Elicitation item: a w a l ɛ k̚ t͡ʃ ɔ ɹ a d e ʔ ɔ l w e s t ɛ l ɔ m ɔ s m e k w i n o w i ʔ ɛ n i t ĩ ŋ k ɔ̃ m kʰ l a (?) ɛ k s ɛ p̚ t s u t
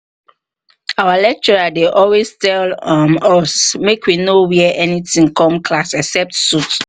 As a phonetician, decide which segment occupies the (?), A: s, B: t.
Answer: A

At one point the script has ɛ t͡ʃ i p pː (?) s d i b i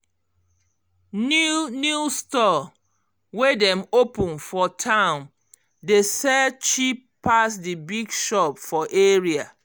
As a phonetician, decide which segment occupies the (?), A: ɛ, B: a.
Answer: B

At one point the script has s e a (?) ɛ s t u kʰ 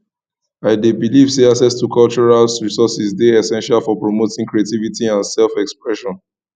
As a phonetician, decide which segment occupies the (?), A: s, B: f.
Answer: A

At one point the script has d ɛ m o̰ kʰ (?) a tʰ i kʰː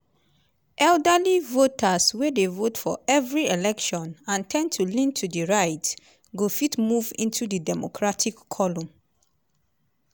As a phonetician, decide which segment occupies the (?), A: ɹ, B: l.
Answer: A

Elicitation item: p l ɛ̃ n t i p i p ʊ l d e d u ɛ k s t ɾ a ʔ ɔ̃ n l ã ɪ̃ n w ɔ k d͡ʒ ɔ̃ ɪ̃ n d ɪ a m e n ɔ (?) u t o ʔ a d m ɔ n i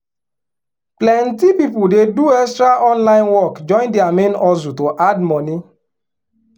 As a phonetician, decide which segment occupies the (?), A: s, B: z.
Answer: B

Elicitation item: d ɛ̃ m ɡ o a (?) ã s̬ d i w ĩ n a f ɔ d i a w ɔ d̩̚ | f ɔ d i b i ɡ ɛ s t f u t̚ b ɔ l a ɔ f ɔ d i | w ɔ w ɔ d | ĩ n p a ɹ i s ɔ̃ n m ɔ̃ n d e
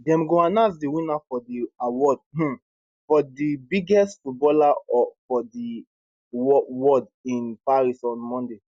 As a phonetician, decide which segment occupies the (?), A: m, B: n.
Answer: B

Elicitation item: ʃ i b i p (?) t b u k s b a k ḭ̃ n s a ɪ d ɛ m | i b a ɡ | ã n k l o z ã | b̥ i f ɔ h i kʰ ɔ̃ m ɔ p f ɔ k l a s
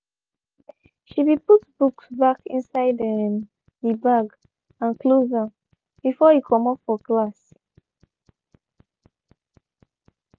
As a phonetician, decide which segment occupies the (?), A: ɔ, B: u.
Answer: B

